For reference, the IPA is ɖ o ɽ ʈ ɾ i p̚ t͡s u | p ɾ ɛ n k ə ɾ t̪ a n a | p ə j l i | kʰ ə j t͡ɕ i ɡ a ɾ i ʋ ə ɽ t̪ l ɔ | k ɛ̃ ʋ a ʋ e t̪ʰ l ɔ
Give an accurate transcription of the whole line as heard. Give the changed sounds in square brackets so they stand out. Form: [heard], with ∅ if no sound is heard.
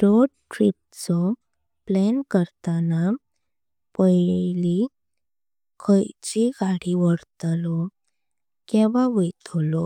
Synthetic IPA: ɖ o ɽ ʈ ɾ i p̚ t͡s [ɔ] | p [l] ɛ n k ə ɾ t̪ a n a | p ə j l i | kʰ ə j t͡ɕ i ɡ a [ɽ] i ʋ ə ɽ t̪ l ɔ | k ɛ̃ ʋ a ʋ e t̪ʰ l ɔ